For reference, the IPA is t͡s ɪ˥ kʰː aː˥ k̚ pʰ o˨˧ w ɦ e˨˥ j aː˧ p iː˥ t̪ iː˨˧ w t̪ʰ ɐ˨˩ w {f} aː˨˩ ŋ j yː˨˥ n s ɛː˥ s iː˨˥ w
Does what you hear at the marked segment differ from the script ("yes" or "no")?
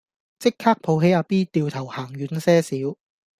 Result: yes